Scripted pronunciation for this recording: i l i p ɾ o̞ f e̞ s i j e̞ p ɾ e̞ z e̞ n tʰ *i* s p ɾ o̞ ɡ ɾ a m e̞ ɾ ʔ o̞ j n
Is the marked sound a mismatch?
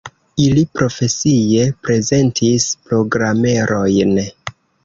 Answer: no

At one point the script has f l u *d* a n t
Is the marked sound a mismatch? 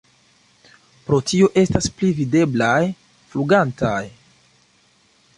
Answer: yes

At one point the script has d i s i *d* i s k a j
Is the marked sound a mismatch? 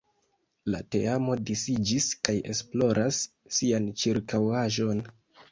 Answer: yes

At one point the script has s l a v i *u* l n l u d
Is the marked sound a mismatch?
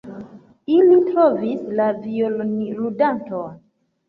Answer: yes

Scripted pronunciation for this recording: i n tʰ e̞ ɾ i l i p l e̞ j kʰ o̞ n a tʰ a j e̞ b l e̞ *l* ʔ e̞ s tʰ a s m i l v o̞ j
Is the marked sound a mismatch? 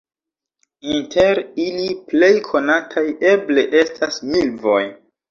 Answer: yes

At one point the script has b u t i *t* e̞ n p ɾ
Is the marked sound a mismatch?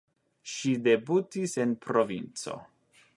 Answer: yes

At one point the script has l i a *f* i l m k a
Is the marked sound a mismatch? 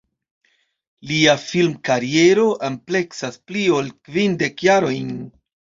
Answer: no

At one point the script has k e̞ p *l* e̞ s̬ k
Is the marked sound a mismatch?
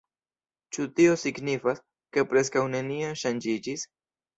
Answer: yes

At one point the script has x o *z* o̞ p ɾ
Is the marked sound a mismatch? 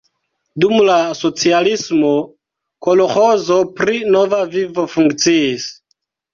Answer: no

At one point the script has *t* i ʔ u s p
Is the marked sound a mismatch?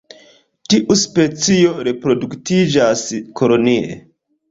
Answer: no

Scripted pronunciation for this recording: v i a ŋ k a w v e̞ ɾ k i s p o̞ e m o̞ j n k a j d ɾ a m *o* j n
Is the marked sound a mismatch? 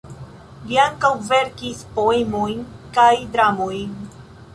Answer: no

